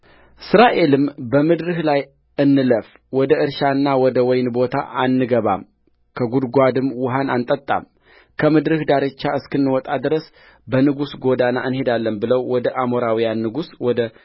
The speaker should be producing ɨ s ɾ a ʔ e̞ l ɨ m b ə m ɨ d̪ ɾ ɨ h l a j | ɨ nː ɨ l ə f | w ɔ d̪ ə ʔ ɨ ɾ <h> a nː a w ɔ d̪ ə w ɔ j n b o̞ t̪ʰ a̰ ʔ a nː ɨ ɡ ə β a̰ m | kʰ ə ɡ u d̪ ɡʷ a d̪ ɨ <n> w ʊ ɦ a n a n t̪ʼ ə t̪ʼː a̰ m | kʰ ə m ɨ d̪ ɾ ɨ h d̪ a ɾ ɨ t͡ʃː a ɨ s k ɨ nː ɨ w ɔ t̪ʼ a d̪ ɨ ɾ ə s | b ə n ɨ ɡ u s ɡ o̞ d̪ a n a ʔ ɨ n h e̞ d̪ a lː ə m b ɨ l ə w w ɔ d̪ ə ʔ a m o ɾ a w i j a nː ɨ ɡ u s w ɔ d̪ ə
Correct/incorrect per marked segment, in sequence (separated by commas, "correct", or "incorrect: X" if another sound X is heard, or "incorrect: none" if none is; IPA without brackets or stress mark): incorrect: ʃ, incorrect: m